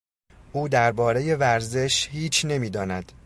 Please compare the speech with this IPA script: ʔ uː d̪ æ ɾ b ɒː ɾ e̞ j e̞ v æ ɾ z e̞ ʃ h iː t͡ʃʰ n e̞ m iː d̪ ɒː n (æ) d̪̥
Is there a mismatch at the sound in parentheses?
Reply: no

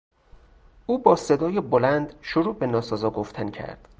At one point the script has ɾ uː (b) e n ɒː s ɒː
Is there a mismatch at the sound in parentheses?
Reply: no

